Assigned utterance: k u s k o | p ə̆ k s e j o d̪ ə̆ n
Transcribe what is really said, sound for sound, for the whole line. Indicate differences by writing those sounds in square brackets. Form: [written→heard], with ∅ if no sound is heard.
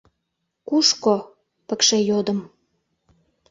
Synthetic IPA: k u [s→ʃ] k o | p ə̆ k [s→ʃ] e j o d̪ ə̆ [n→m]